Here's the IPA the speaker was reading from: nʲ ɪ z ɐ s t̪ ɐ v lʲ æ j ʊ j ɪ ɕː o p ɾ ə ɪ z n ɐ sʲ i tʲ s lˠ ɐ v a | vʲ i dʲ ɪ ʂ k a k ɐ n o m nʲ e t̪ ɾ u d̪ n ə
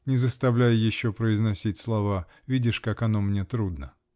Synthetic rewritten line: nʲ ɪ z ə s t̪ ɐ v lʲ æ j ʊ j ɪ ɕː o p ɾ ə ɪ z n ɐ sʲ i tʲ s lˠ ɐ v a | vʲ i dʲ ɪ ʂ k a k ɐ n o m nʲ e t̪ ɾ u d̪ n ə